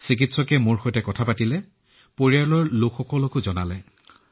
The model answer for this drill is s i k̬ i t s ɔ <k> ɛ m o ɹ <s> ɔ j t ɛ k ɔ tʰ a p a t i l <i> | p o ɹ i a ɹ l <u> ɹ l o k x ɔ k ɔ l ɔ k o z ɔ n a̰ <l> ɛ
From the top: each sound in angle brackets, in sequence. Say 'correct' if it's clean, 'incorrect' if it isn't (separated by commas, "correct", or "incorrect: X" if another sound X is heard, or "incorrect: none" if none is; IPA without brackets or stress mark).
correct, incorrect: x, incorrect: ɛ, incorrect: ɔ, correct